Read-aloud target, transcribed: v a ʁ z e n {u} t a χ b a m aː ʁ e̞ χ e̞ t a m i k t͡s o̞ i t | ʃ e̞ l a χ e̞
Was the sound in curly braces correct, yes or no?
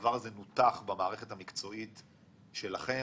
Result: yes